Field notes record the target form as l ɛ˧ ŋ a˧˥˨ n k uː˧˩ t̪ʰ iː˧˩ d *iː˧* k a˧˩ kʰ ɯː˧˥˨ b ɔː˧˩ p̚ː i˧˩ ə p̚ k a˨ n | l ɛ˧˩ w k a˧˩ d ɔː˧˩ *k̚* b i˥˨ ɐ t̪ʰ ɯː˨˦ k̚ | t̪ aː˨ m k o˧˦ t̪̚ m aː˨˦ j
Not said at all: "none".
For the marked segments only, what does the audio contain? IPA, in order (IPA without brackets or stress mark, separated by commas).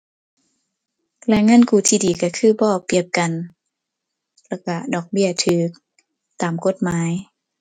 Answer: iː˨˩, k̚